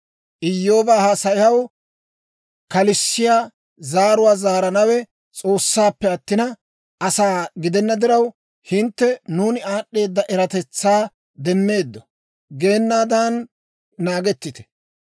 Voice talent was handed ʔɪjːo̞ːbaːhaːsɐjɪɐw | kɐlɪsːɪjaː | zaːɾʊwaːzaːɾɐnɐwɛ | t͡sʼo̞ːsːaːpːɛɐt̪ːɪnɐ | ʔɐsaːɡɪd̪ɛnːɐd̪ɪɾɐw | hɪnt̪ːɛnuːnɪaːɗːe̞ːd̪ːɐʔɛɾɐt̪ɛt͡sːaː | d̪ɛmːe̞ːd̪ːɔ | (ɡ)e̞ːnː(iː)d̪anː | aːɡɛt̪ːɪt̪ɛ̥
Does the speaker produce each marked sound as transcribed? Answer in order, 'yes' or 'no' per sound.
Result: yes, no

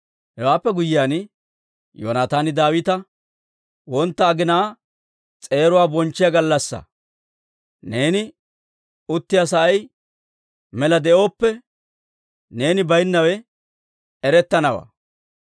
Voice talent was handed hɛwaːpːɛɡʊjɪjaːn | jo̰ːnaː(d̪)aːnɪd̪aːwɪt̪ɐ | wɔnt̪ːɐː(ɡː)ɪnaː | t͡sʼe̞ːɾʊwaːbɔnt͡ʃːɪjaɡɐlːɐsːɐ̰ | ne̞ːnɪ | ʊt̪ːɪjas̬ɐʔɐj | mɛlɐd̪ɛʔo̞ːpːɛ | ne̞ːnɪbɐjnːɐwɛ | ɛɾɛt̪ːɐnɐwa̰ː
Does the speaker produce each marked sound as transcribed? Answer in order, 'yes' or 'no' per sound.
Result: no, no

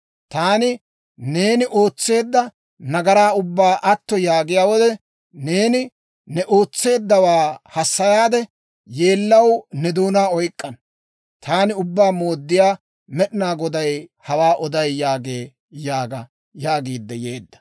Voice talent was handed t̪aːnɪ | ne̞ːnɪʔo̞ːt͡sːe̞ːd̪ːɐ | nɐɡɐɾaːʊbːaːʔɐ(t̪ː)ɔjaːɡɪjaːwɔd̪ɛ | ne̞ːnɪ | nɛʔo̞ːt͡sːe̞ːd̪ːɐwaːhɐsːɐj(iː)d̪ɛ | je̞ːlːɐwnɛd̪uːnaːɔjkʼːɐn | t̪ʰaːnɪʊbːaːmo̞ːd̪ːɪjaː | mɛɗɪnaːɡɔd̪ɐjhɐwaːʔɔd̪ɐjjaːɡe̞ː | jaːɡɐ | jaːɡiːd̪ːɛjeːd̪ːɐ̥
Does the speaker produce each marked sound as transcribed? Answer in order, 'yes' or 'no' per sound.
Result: yes, no

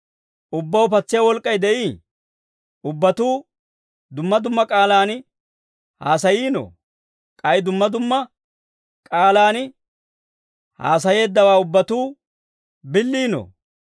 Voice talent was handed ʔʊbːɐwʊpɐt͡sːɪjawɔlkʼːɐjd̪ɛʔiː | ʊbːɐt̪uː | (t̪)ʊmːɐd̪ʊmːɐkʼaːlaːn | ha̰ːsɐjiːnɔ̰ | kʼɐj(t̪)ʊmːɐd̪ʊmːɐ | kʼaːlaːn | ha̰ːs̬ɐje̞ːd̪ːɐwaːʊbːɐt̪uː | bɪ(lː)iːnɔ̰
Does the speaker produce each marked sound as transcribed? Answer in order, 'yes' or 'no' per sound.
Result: no, no, yes

